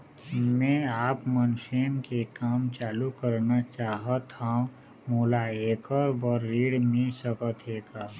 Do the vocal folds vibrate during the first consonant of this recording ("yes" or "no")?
yes